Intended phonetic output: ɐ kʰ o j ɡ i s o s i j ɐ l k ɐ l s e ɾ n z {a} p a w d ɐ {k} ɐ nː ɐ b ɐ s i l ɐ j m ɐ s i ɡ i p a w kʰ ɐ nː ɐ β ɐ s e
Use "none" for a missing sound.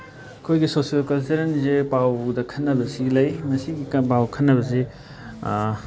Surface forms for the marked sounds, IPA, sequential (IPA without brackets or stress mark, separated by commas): e, kʰ